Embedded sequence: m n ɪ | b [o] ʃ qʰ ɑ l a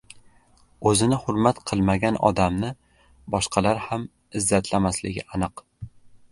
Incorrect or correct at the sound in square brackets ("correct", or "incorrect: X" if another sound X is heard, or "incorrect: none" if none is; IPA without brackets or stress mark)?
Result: incorrect: ɒ